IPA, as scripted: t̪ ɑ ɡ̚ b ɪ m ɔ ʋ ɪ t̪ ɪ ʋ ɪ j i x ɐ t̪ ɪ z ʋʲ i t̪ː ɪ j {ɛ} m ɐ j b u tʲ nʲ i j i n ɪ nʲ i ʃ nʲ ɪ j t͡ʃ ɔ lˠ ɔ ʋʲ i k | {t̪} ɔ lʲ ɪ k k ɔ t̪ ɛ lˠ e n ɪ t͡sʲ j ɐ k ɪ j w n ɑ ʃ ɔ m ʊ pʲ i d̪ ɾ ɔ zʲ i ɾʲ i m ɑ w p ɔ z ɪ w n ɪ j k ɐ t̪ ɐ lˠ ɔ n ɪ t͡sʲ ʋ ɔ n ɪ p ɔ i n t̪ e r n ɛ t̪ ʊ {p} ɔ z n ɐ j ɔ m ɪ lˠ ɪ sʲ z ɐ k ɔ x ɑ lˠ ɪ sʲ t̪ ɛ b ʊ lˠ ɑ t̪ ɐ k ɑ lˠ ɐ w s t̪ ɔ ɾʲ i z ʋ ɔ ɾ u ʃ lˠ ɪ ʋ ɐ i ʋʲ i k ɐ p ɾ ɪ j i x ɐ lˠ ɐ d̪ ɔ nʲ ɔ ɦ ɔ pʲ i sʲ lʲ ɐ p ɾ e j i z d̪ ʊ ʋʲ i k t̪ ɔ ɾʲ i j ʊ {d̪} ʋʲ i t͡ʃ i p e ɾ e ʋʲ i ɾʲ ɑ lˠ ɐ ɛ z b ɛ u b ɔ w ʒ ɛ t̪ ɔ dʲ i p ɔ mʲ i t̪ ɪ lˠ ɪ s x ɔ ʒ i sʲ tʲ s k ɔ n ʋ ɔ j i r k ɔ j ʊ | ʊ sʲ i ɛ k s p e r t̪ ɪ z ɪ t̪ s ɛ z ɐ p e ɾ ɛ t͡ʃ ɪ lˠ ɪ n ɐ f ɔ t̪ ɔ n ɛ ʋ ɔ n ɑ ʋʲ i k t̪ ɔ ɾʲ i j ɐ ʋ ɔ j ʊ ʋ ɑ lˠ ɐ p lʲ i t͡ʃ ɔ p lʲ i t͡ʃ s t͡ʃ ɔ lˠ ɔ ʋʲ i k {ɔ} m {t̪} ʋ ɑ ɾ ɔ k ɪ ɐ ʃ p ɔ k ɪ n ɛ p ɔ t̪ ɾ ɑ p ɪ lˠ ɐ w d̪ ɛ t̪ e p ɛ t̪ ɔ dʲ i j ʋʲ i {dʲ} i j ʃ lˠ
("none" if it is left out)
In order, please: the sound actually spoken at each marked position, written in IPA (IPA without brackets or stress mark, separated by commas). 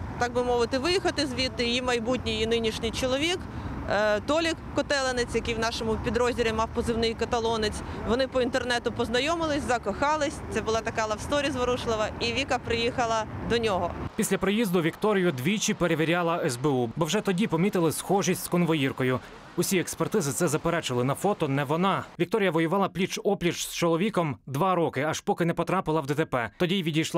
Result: i, t̪, p, d̪, ɔ, d̪, dʲ